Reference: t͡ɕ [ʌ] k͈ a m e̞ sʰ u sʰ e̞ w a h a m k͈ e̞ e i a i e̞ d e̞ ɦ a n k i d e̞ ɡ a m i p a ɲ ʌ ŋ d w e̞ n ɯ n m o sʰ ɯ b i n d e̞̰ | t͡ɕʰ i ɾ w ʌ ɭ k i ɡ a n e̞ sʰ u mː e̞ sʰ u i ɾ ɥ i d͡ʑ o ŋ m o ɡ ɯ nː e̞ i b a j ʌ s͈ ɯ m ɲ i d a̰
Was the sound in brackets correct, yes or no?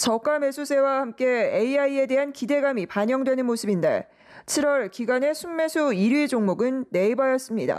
yes